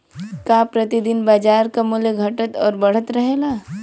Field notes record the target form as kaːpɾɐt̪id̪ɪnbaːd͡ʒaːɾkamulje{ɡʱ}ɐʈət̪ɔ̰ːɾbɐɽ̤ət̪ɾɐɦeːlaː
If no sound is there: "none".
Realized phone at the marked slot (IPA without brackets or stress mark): ɡʱ